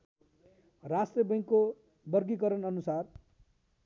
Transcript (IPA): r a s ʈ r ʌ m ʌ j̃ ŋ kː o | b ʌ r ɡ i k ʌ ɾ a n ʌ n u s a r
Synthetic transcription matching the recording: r a s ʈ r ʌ b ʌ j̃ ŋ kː o | b ʌ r ɡ i k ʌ ɾ ʌ n ʌ n u s a r